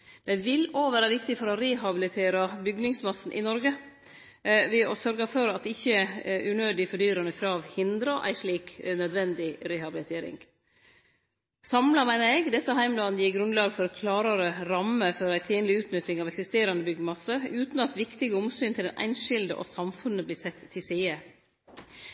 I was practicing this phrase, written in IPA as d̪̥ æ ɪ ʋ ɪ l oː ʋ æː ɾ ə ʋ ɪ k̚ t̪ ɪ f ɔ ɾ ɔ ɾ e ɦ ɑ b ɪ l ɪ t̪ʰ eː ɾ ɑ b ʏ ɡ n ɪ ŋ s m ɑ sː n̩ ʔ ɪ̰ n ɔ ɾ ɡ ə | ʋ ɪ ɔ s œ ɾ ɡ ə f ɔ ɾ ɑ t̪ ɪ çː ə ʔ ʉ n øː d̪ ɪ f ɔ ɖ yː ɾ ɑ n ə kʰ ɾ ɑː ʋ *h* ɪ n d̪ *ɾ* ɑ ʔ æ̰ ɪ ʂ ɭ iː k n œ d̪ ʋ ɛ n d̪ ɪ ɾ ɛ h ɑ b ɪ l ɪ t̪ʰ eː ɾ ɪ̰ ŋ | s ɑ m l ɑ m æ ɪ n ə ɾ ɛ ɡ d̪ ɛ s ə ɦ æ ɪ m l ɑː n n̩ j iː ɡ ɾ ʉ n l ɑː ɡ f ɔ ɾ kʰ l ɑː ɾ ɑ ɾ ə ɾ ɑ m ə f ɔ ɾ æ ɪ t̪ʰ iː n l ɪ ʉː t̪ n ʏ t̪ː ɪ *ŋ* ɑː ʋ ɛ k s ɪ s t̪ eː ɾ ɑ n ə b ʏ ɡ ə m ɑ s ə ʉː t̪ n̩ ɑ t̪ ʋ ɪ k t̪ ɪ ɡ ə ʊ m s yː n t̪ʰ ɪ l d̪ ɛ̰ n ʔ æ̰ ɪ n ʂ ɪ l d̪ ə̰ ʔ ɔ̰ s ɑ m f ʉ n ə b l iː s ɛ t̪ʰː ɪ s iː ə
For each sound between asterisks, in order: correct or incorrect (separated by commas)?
correct, correct, correct